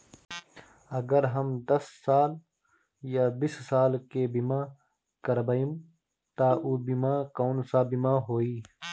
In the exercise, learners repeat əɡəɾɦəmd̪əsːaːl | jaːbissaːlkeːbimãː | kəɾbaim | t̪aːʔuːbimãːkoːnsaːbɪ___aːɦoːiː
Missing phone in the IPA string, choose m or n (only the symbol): m